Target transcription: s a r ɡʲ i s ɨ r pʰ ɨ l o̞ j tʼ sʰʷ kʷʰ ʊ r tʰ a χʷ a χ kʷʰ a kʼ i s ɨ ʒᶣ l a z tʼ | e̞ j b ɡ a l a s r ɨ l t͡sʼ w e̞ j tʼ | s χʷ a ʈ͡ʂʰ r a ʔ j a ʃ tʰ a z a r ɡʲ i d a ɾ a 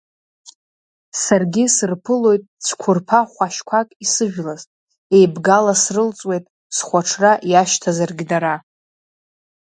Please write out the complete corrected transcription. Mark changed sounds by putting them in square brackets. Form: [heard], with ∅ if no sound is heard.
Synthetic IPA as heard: s a r ɡʲ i s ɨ r pʰ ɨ l o̞ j tʼ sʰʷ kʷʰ ʊ r [pʰ] a χʷ a [ʃ] kʷʰ a kʼ i s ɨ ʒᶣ l a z tʼ | e̞ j b ɡ a l a s r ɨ l t͡sʼ w e̞ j tʼ | s χʷ a ʈ͡ʂʰ r a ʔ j a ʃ tʰ a z a r ɡʲ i d a ɾ a